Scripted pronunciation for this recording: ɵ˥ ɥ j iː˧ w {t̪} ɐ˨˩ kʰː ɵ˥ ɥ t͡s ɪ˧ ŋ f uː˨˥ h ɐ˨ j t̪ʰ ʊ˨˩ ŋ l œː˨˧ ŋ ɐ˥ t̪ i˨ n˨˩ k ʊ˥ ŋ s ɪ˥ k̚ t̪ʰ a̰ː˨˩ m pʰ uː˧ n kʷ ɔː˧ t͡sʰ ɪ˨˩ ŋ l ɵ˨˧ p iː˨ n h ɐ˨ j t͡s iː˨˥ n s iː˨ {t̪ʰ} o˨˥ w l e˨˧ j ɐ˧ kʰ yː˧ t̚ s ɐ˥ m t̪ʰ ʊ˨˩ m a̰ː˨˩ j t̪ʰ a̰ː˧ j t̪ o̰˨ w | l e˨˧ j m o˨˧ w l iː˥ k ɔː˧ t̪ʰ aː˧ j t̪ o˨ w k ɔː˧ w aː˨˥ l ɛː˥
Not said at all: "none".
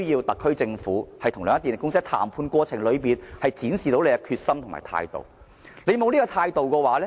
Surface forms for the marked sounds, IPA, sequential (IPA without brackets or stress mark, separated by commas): t̪, t̪